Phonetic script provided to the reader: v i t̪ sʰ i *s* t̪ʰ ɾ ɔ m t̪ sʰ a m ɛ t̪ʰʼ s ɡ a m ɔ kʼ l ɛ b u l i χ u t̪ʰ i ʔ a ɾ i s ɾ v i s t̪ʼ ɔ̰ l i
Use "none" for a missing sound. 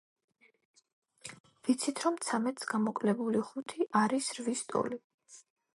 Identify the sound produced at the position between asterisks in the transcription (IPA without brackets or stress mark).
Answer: none